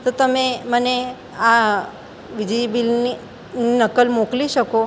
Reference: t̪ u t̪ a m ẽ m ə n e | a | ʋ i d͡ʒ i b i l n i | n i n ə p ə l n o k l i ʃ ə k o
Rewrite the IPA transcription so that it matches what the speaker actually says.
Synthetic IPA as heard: t̪ o t̪ ə m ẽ m ə n e | a | ʋ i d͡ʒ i b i l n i | n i n ə k ə l m o k l i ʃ ə k o